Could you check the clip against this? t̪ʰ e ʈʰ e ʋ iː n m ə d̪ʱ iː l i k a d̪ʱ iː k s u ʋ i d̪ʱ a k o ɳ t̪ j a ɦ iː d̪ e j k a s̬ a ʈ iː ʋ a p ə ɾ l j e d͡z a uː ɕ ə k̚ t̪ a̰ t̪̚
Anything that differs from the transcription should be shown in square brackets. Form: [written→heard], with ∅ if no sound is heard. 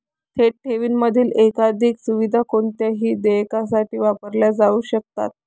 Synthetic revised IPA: t̪ʰ e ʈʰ e ʋ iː n m ə d̪ʱ iː l [i→e] k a d̪ʱ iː k s u ʋ i d̪ʱ a k o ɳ t̪ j a ɦ iː d̪ e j k a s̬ a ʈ iː ʋ a p ə ɾ l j [e→a] d͡z a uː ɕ ə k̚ t̪ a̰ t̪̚